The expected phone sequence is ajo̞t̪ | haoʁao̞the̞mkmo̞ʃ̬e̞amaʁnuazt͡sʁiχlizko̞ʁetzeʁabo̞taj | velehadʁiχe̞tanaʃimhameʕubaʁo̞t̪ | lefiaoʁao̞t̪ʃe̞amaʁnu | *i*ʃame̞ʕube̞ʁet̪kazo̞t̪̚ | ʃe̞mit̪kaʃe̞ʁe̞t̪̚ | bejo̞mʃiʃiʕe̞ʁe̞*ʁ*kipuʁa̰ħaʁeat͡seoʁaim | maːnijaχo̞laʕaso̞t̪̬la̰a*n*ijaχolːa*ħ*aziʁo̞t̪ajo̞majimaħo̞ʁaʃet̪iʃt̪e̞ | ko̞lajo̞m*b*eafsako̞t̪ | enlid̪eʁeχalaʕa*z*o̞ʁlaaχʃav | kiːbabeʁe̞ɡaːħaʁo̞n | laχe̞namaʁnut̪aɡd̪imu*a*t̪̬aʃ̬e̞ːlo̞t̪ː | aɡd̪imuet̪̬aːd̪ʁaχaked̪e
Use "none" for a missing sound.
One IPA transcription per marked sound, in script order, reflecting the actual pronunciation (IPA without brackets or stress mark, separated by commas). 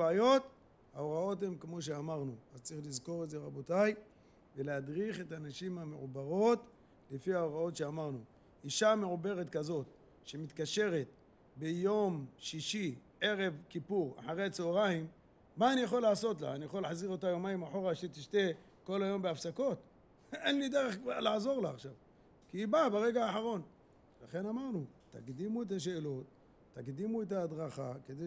i, v, n, ħ, b, z, e